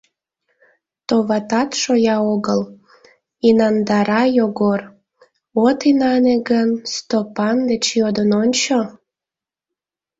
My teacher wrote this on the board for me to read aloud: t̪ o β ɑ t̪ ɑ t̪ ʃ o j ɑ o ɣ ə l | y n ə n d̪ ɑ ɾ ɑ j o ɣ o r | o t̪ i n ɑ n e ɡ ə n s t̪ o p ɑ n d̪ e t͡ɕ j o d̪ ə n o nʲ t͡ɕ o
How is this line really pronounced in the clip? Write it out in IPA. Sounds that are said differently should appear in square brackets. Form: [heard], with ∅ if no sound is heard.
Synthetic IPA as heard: t̪ o β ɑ t̪ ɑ t̪ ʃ o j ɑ o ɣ ə l | [i] n [ɑ] n d̪ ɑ ɾ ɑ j o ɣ o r | o t̪ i n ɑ n e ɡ ə n s t̪ o p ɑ n d̪ e t͡ɕ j o d̪ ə n o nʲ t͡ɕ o

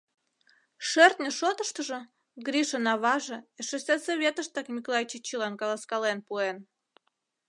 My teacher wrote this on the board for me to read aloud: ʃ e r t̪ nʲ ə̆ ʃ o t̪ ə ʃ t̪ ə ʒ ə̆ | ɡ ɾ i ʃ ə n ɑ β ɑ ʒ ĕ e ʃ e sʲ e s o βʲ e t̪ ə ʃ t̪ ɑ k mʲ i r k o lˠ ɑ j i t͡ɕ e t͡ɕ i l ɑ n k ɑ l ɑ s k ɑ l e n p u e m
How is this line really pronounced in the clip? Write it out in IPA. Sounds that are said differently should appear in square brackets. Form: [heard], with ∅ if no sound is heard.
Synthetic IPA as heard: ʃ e r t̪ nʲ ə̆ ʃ o t̪ ə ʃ t̪ ə ʒ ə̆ | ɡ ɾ i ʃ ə n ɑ β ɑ ʒ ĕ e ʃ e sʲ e s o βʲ e t̪ ə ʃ t̪ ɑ k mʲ i [∅] k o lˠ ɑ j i t͡ɕ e t͡ɕ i l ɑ n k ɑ l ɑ s k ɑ l e n p u e [n]

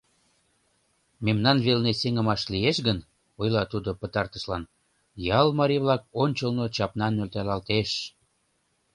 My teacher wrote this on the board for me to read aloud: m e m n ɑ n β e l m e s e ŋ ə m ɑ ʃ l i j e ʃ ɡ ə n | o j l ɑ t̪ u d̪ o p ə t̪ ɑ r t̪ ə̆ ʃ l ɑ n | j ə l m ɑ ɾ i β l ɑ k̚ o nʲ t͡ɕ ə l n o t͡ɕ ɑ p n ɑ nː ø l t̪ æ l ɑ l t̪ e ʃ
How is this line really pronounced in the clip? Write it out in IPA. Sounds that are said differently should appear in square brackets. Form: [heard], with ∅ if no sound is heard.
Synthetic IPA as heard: m e m n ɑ n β e l [n] e s e ŋ ə m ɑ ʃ l i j e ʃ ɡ ə n | o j l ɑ t̪ u d̪ o p ə t̪ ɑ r t̪ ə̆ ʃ l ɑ n | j [ɑ] l m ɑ ɾ i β l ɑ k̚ o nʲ t͡ɕ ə l n o t͡ɕ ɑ p n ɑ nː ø l t̪ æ l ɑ l t̪ e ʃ

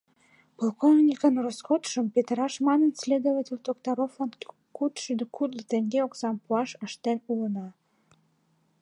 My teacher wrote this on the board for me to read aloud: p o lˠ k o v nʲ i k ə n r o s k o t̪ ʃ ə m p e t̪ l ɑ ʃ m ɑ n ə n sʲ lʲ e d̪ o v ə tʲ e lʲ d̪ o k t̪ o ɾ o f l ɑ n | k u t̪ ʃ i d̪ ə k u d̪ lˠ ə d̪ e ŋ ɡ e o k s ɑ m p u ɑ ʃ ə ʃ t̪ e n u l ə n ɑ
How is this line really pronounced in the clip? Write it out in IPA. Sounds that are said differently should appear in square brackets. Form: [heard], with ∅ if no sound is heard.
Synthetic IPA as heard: p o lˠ k o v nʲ i k ə n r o s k o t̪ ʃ ə m p e t̪ [ɾ] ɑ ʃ m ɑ n ə n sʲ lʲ e d̪ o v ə tʲ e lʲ d̪ o k t̪ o ɾ o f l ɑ n | k u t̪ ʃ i d̪ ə k u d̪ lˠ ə [t̪] e ŋ ɡ e o k s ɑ m p u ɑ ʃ ə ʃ t̪ e n u l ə n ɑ

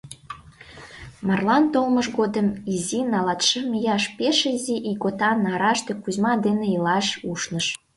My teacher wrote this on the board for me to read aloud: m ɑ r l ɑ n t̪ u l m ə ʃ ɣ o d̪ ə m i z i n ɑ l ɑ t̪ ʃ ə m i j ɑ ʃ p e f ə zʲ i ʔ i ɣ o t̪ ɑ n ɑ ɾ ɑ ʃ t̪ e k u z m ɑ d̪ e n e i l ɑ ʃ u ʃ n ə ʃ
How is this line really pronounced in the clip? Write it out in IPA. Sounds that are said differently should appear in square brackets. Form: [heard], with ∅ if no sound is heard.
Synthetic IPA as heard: m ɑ r l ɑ n t̪ [o] l m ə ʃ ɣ o d̪ ə m i z i n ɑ l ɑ t̪ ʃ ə m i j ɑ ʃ p e [ʃ] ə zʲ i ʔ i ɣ o t̪ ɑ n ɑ ɾ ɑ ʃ t̪ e k u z m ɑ d̪ e n e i l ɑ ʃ u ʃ n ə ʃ

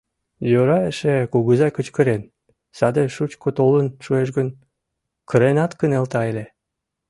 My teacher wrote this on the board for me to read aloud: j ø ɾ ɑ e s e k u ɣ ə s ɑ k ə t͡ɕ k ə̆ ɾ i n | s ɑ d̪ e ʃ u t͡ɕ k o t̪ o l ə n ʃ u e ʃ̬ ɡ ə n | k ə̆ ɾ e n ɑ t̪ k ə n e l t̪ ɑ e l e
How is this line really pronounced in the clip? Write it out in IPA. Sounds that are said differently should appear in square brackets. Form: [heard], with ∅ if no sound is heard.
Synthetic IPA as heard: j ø ɾ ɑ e [ʃ] e k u ɣ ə [z] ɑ k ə t͡ɕ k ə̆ ɾ [e] n | s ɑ d̪ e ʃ u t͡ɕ k o t̪ o l ə n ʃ u e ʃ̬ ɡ ə n | k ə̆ ɾ e n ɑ t̪ k ə n e l t̪ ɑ e l e

